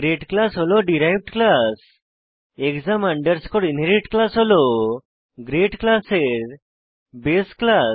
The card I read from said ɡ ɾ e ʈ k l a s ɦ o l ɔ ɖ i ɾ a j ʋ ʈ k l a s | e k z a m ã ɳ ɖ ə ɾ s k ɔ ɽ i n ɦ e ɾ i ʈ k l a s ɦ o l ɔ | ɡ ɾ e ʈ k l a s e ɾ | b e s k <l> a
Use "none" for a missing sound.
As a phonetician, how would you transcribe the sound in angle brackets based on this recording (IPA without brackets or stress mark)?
l